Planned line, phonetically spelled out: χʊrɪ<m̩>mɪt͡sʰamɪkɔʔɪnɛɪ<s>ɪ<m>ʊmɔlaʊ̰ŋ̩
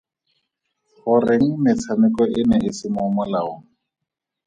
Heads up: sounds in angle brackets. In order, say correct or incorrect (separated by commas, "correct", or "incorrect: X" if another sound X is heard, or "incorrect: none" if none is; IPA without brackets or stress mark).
incorrect: ŋ̩, correct, correct